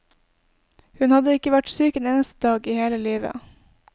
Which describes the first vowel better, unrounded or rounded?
rounded